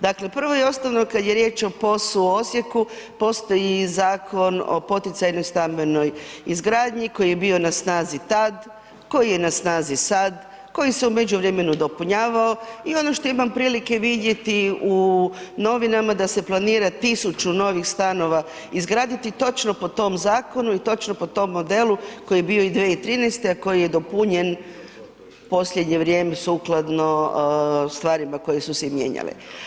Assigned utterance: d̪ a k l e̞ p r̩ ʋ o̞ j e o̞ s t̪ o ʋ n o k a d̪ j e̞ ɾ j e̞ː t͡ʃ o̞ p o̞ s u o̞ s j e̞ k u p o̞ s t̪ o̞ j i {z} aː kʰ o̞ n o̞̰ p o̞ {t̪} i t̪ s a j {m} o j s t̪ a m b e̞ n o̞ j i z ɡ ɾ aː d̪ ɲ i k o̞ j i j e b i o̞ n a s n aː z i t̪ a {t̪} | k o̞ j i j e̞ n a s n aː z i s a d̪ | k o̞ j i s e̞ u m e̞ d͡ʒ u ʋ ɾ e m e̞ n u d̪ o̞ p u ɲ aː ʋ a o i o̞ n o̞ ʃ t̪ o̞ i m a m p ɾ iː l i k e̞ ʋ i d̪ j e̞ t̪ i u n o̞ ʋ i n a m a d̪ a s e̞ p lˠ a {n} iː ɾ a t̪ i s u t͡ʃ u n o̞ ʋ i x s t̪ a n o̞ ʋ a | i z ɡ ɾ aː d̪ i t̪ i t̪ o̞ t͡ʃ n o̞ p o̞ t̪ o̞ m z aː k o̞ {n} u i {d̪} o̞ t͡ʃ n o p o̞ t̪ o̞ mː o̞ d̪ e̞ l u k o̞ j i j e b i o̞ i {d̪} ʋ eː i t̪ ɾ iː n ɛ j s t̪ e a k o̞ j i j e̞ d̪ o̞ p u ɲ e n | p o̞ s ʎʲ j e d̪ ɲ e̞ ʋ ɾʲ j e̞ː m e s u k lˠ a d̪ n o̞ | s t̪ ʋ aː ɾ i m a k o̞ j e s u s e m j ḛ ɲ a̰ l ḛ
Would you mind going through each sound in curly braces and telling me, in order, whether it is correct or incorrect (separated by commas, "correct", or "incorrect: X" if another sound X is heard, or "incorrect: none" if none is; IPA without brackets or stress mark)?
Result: correct, correct, incorrect: n, incorrect: d̪, correct, correct, incorrect: t̪, correct